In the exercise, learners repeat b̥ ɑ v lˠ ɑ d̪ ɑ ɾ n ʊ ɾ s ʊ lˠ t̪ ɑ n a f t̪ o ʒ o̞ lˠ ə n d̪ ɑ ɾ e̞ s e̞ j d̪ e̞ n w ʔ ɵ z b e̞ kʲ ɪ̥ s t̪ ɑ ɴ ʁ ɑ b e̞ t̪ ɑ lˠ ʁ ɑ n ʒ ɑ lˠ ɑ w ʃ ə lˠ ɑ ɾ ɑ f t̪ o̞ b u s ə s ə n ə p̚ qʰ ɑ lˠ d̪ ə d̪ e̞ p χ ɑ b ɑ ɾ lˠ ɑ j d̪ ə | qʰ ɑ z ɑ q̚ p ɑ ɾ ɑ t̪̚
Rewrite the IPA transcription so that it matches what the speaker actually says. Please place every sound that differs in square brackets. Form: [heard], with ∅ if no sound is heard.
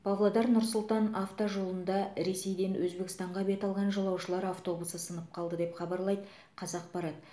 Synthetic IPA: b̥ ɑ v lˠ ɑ d̪ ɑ ɾ n ʊ ɾ s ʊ lˠ t̪ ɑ n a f t̪ o ʒ o̞ lˠ ə n d̪ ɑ ɾ e̞ s e̞ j d̪ e̞ n w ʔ ɵ z b e̞ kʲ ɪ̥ s t̪ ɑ ɴ ʁ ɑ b e̞ t̪ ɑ lˠ ʁ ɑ n ʒ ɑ lˠ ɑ w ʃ ə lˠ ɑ ɾ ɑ f t̪ o̞ b u s ə s ə n ə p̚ qʰ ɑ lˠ d̪ ə d̪ e̞ p χ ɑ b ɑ ɾ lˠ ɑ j d̪ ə | qʰ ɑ z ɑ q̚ p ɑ ɾ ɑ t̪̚